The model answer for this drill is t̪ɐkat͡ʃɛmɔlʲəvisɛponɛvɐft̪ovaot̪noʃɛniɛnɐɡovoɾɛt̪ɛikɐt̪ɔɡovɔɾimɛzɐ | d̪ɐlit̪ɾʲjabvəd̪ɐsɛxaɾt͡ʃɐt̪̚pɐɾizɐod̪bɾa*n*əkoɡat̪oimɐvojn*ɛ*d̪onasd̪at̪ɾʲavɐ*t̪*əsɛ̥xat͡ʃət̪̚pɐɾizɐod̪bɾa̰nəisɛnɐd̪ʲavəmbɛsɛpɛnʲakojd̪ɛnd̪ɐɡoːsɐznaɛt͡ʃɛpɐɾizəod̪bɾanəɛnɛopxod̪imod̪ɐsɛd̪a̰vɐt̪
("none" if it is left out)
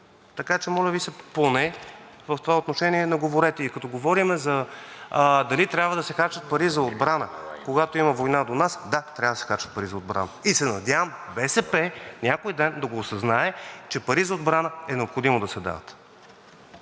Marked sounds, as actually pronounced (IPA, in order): n, a, d̪

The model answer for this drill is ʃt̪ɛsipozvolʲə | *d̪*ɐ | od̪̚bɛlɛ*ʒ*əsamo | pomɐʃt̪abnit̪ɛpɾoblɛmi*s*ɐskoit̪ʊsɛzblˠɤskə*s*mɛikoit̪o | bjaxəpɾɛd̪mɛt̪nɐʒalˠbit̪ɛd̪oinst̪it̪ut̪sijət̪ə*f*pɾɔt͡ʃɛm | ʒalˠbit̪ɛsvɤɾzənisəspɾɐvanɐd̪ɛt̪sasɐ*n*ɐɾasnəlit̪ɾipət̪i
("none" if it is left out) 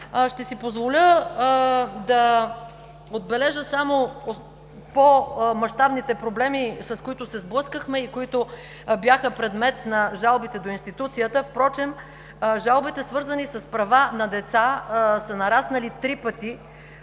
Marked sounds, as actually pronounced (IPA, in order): d̪, ʒ, s, x, f, n

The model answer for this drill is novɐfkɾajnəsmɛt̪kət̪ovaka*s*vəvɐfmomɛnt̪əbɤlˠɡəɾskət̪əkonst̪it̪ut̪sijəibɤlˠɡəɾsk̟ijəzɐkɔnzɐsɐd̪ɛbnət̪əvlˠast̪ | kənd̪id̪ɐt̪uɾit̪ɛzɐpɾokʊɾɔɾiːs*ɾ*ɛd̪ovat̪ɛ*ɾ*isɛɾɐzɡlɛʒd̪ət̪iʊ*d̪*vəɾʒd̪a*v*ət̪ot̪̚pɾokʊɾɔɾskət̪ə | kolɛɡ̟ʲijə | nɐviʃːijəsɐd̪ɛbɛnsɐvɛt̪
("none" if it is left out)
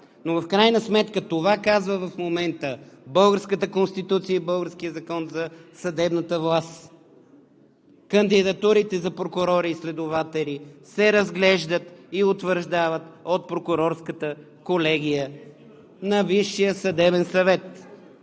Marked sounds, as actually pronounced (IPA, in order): z, l, l, t̪, v

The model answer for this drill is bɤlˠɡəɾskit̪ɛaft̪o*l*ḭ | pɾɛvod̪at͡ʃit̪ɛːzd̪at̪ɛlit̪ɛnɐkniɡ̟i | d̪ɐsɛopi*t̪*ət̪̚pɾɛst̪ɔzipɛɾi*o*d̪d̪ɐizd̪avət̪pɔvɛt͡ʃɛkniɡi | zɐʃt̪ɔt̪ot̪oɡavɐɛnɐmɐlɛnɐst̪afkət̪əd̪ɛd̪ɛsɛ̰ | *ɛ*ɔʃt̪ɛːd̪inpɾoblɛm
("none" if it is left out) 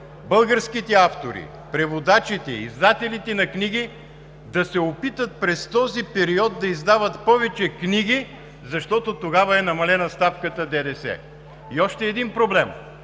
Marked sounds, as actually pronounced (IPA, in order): ɾ, t̪, ɔ, i

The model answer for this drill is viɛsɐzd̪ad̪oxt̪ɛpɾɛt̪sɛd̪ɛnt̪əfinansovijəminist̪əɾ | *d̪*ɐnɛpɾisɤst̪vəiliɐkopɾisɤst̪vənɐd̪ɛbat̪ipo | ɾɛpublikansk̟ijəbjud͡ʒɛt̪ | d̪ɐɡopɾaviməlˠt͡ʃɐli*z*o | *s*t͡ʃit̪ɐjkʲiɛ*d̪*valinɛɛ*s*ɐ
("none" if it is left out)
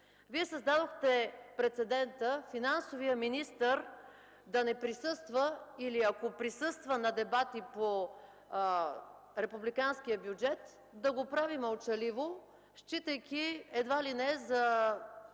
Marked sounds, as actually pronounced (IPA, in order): d̪, v, ʃ, d̪, z

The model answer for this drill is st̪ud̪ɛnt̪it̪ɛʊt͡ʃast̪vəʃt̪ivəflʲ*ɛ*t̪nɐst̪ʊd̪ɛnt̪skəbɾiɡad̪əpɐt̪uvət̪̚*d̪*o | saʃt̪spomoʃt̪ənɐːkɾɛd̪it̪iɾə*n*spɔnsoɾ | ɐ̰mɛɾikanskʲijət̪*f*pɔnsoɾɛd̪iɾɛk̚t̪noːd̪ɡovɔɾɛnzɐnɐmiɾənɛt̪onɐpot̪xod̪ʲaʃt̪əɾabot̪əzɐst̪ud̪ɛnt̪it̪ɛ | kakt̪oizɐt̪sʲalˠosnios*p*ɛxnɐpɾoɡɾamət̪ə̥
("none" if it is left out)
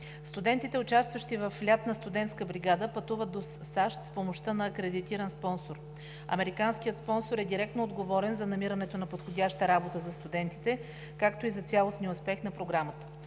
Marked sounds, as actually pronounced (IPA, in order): a, d̪, n, s, p

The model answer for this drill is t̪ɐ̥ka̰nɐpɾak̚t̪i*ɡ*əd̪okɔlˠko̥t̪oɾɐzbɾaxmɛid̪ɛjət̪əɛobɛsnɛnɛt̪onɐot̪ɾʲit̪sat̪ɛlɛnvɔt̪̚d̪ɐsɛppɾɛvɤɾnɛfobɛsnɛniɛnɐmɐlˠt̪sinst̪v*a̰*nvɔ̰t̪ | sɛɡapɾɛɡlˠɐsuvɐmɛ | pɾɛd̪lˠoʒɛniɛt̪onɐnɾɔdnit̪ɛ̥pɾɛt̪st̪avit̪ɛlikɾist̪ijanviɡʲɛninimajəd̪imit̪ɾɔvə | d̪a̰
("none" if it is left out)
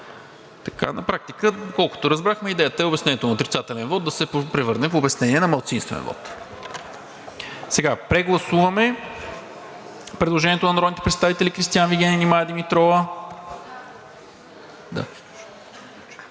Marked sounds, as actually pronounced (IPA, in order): k, ɛ̰

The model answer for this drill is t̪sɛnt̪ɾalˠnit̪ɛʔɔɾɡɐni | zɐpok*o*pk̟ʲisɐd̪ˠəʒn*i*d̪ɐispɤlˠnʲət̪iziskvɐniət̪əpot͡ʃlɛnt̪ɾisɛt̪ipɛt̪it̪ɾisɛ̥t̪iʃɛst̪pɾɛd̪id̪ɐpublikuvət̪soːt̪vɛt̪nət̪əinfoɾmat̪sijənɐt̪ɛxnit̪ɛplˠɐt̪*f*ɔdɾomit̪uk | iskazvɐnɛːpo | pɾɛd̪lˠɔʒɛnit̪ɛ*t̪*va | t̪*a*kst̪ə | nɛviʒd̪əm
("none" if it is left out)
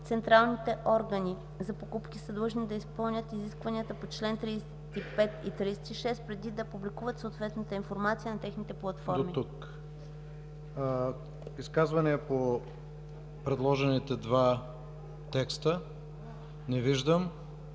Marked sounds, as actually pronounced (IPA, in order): u, i, f, d̪, ɛ

